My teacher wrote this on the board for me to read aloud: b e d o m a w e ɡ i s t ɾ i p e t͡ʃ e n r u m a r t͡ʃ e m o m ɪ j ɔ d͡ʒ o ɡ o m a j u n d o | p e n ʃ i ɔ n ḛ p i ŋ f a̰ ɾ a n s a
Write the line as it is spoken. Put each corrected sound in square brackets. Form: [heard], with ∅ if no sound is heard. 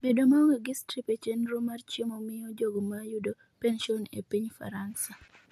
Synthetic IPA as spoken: b e d o m a w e ɡ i s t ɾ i p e t͡ʃ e n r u m a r t͡ʃ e m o m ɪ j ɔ d͡ʒ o ɡ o m a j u [∅] d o | p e n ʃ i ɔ n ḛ p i [ɲ] f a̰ ɾ a n s a